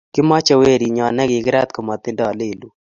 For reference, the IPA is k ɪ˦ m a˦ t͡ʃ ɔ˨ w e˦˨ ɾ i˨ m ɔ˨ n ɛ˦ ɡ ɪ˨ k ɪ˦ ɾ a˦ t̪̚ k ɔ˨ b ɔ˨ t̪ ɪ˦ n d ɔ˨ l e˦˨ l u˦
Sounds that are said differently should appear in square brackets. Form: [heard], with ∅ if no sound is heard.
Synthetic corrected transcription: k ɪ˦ m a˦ t͡ʃ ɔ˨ w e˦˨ ɾ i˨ [ɲ] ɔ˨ n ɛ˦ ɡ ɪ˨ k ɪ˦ ɾ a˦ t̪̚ k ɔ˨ [m] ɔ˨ t̪ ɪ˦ n d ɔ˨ l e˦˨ l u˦